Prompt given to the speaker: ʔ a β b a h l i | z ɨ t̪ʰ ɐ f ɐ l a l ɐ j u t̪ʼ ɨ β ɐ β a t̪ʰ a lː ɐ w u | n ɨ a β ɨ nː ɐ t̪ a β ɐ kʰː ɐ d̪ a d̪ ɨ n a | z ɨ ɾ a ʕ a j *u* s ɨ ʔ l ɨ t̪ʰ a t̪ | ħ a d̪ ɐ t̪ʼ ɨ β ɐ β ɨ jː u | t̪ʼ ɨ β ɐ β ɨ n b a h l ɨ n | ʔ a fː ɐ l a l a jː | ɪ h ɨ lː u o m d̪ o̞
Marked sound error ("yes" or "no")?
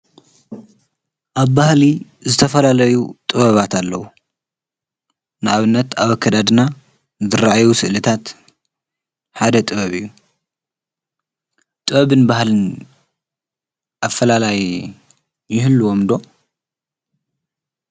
no